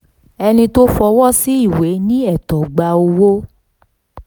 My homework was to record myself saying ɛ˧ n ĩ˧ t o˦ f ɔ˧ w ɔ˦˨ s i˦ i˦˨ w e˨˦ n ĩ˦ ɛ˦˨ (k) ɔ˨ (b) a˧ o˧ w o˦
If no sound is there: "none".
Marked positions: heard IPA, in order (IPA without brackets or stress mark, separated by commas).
t, ɡ͡b